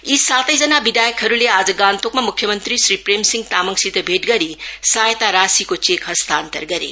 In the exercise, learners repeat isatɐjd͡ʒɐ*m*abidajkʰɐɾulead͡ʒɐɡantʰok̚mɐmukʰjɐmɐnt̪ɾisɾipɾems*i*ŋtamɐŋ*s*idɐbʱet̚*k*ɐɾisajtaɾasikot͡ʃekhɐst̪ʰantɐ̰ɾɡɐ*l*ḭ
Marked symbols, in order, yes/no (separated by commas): no, yes, yes, no, no